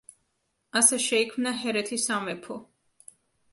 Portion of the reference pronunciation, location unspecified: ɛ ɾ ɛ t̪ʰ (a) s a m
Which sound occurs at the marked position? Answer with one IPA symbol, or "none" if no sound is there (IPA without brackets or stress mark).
i